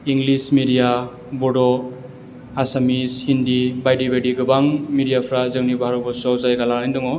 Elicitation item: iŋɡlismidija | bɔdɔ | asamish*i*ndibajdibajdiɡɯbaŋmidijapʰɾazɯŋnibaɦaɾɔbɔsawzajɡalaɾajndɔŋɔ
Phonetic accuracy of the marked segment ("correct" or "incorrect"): correct